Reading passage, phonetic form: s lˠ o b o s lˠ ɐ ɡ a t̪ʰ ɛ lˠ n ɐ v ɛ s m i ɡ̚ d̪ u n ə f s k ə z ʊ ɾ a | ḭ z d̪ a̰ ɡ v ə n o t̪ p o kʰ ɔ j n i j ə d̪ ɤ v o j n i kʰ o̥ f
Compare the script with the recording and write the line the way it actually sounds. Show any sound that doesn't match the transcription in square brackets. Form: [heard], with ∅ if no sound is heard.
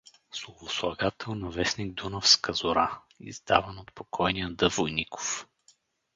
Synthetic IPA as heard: s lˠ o [v] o s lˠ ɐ ɡ a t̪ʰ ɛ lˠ n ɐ v ɛ s [n] i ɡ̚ d̪ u n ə f s k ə z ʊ ɾ a | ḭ z d̪ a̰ [∅] v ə n o t̪ p o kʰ ɔ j n i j ə d̪ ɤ v o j n i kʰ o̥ f